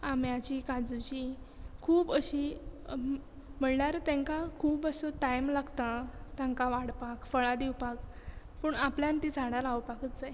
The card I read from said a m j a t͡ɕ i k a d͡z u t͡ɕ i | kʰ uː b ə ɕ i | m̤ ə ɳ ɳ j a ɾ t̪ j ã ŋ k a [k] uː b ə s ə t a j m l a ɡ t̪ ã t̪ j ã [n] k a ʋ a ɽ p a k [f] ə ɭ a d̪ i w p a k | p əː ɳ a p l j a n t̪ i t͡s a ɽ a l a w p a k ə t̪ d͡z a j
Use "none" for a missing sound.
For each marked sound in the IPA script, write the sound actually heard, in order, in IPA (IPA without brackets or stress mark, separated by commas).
kʰ, ŋ, f